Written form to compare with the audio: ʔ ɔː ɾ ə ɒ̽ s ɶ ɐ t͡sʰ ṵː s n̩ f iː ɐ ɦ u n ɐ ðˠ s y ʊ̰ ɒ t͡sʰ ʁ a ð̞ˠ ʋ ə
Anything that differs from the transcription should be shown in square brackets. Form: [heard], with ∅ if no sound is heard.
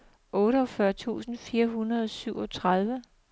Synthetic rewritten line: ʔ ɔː ɾ ə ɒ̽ [f] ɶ ɐ t͡sʰ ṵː s n̩ f iː ɐ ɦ u n ɐ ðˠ s y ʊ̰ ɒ t͡sʰ ʁ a ð̞ˠ ʋ ə